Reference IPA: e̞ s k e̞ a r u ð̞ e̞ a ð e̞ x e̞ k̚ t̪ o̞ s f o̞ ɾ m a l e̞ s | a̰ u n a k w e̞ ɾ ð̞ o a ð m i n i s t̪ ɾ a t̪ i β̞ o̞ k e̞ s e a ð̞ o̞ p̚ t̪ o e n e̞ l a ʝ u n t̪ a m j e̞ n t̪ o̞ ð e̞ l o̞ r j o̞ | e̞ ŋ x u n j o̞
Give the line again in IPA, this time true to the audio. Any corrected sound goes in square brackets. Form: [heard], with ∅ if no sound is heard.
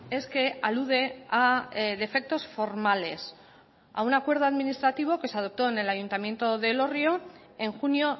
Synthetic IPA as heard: e̞ s k e̞ a [l] u ð̞ e̞ a ð e̞ [f] e̞ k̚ t̪ o̞ s f o̞ ɾ m a l e̞ s | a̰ u n a k w e̞ ɾ ð̞ o a ð m i n i s t̪ ɾ a t̪ i β̞ o̞ k e̞ s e a ð̞ o̞ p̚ t̪ o e n e̞ l a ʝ u n t̪ a m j e̞ n t̪ o̞ ð e̞ l o̞ r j o̞ | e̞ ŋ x u n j o̞